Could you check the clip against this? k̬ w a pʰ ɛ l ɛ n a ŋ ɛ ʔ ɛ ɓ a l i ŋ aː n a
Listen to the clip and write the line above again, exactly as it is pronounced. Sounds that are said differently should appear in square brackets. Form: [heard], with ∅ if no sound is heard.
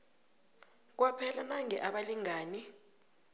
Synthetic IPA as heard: k̬ w a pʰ ɛ l [a] n a ŋ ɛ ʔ [a] ɓ a l i ŋ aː n [i]